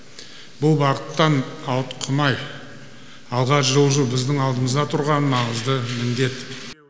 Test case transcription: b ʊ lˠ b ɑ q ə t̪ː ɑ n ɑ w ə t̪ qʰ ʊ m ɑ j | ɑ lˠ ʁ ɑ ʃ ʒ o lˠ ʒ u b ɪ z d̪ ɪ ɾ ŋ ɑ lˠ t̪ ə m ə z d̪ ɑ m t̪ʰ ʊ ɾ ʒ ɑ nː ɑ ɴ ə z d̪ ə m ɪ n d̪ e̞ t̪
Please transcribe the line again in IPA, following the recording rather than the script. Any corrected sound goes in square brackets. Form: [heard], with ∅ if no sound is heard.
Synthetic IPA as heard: b ʊ lˠ b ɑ q ə t̪ː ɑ n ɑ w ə t̪ qʰ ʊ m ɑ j | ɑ lˠ ʁ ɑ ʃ ʒ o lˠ ʒ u b ɪ z d̪ ɪ [∅] ŋ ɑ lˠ [d̪] ə m ə z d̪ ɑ [∅] t̪ʰ ʊ ɾ [ʁ] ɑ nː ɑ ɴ ə z d̪ ə m ɪ n d̪ e̞ t̪

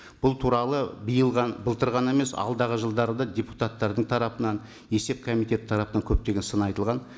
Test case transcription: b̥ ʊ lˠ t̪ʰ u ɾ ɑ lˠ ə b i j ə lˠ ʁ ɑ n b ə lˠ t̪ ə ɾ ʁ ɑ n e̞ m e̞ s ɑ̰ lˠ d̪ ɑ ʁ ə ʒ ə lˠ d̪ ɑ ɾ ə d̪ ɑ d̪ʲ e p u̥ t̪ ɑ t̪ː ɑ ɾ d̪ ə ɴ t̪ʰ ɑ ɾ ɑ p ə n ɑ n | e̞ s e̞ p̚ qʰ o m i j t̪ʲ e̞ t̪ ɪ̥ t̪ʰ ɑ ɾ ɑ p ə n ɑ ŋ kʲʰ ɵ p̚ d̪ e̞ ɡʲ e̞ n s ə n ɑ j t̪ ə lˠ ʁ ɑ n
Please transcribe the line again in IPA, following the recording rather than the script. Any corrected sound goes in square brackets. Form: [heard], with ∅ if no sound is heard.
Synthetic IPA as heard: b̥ ʊ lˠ t̪ʰ u ɾ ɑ lˠ ə b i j ə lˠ ʁ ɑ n b ə lˠ t̪ ə ɾ ʁ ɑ n e̞ m e̞ s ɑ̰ lˠ d̪ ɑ ʁ ə ʒ ə lˠ d̪ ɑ ɾ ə d̪ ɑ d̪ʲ e p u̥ t̪ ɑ t̪ː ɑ ɾ d̪ ə ɴ t̪ʰ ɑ ɾ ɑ p ə n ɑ n | e̞ s e̞ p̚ [kʰ] o m i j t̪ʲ e̞ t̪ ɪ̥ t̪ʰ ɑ ɾ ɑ p ə n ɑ ŋ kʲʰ ɵ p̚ [t̪] e̞ ɡʲ e̞ n s ə n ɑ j t̪ ə lˠ ʁ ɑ n

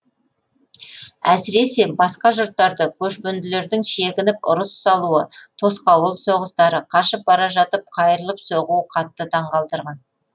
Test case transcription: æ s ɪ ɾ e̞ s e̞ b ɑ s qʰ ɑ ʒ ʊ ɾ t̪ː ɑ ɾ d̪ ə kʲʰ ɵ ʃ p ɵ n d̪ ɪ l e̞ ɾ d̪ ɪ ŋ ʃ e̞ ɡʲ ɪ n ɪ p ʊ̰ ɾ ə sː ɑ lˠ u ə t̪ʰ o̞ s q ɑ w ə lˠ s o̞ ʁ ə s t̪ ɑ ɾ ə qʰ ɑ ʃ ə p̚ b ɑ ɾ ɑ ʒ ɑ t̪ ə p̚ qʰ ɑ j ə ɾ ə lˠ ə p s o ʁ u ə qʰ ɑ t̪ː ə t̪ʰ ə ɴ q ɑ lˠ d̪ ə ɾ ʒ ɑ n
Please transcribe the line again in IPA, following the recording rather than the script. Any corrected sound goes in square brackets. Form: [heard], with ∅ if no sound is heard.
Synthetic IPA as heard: æ s ɪ ɾ e̞ s e̞ b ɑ s [q] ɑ ʒ ʊ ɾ t̪ː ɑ ɾ d̪ ə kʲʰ ɵ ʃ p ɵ n d̪ ɪ l e̞ ɾ d̪ ɪ ŋ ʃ e̞ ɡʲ ɪ n ɪ p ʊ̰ ɾ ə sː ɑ lˠ u ə t̪ʰ o̞ s q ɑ w ə lˠ s o̞ ʁ ə s t̪ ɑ ɾ ə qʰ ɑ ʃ ə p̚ b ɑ ɾ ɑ ʒ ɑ t̪ ə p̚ qʰ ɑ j ə ɾ ə lˠ ə p s o ʁ u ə qʰ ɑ t̪ː ə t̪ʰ [ɑ] ɴ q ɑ lˠ d̪ ə ɾ [ʁ] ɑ n

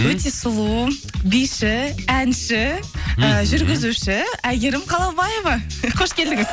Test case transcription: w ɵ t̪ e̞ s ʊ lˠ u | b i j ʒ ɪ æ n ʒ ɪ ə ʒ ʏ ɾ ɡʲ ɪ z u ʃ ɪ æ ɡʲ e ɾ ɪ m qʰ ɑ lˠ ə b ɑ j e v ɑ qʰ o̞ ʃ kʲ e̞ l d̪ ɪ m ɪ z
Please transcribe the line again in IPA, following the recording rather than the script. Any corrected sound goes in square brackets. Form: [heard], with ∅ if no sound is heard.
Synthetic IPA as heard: w ɵ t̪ e̞ s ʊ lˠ u | b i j [ʃ] ɪ æ n [ʃ] ɪ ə ʒ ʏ ɾ ɡʲ ɪ z u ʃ ɪ æ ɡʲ e ɾ ɪ m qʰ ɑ lˠ [ɑ] b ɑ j e v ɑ qʰ o̞ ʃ kʲ e̞ l d̪ ɪ [ŋ] ɪ z

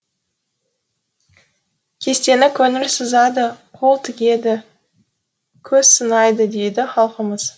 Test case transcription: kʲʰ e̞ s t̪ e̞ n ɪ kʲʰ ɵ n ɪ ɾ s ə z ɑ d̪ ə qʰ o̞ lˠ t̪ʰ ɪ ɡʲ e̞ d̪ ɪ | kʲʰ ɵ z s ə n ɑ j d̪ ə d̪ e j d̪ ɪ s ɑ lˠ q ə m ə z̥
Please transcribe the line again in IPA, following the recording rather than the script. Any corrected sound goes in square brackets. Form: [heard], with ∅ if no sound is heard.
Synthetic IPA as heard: kʲʰ e̞ s t̪ e̞ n ɪ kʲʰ ɵ n ɪ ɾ s ə z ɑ d̪ ə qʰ o̞ lˠ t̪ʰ ɪ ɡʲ e̞ d̪ ɪ | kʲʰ ɵ z s ə n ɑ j d̪ ə d̪ e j d̪ ɪ [χ] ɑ lˠ q ə m ə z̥

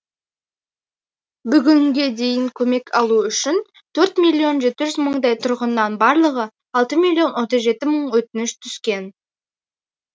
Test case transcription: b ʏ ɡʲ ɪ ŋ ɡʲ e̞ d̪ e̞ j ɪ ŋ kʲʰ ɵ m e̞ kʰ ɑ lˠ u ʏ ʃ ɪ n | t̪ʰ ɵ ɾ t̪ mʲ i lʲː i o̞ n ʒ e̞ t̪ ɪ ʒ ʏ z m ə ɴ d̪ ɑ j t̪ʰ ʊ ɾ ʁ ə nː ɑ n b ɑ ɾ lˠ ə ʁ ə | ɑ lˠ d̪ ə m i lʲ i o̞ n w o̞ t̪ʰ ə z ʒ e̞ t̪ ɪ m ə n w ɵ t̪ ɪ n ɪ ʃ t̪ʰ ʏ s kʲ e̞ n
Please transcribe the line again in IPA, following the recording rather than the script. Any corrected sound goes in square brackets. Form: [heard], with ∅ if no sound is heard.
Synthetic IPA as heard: b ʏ ɡʲ ɪ ŋ ɡʲ e̞ d̪ e̞ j ɪ ŋ kʲʰ ɵ m e̞ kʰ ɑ lˠ u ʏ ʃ ɪ n | t̪ʰ ɵ ɾ t̪ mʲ i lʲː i o̞ n ʒ e̞ t̪ ɪ ʒ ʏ z m ə ɴ d̪ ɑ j t̪ʰ ʊ ɾ ʁ ə nː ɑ n b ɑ ɾ lˠ ə ʁ ə | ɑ lˠ [t̪] ə m i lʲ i o̞ n w o̞ [t̪] ə z ʒ e̞ t̪ ɪ m ə [ɴ] w ɵ t̪ ɪ n ɪ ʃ t̪ʰ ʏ s kʲ e̞ n

